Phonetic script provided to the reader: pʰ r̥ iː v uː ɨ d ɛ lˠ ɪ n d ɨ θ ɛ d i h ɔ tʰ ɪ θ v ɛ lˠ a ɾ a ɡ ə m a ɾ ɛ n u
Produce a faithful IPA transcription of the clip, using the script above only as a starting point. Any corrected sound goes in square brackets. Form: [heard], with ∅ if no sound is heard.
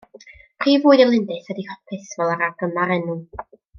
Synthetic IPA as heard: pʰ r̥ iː v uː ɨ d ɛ lˠ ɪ n d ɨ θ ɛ d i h ɔ [pʰ] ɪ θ v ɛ lˠ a ɾ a ɡ ə m a ɾ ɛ n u